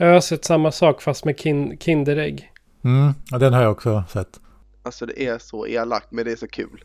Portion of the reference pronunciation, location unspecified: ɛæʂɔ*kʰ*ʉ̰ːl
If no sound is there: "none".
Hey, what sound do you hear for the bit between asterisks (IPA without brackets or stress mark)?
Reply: kʰ